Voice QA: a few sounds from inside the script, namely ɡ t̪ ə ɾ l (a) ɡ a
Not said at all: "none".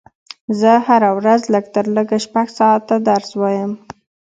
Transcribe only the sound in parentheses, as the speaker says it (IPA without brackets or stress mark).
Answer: ə